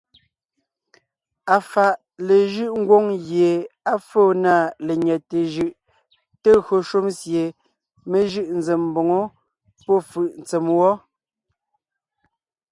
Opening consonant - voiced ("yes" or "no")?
no